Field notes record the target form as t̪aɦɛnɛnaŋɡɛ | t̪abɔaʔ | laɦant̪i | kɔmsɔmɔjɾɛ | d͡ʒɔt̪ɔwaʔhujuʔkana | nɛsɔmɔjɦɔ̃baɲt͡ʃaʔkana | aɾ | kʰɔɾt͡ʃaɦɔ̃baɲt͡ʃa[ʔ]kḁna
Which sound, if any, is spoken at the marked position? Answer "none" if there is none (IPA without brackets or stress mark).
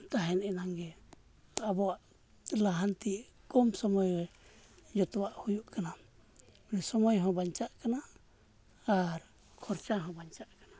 ʔ